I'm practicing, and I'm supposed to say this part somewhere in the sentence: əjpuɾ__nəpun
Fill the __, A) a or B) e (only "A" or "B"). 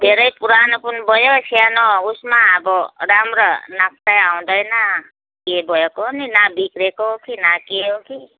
A